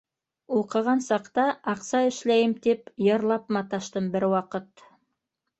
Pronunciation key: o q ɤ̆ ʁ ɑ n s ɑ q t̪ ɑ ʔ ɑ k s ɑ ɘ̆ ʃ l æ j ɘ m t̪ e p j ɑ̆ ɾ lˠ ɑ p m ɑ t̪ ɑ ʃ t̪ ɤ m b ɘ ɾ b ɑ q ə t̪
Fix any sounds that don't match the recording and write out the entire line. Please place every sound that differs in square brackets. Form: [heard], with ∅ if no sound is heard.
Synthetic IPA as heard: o q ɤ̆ ʁ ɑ n s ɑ q t̪ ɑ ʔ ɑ [q] s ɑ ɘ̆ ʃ l æ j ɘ m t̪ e p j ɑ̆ ɾ lˠ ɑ p m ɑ t̪ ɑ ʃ t̪ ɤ m b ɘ ɾ [w] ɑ q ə t̪